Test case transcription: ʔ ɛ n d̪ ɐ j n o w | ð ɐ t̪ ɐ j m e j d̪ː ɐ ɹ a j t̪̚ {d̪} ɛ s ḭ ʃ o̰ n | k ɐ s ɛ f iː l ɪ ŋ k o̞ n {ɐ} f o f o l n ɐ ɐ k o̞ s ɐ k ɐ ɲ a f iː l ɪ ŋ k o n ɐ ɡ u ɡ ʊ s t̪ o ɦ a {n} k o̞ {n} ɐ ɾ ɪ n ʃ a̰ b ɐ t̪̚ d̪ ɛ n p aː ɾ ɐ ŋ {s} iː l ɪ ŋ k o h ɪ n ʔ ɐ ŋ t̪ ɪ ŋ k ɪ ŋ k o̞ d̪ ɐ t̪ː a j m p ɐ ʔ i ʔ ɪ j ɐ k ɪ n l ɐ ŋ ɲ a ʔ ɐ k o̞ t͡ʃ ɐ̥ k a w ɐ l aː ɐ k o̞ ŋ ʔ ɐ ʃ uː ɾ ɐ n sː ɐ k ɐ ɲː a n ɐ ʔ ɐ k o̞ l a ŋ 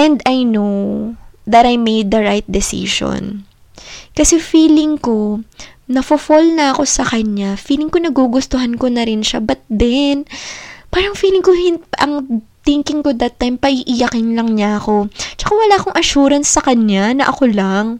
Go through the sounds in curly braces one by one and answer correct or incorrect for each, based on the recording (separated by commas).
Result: correct, correct, correct, correct, incorrect